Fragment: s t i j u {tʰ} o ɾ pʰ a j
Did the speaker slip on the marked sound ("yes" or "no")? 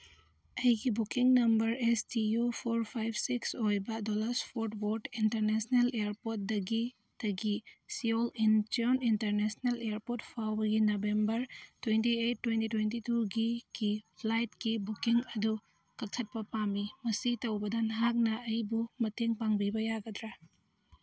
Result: yes